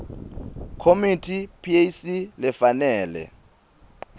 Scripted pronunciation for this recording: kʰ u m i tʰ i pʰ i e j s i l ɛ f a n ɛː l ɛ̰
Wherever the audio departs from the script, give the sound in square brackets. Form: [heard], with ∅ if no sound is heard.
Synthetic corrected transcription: kʰ [o] m i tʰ i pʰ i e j s i l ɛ f a n ɛː l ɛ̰